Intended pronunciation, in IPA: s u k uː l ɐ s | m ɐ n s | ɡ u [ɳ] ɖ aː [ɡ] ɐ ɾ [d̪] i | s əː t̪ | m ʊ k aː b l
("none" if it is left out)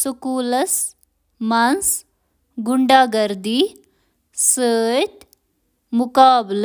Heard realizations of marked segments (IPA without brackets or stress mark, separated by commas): ɳ, ɡ, d̪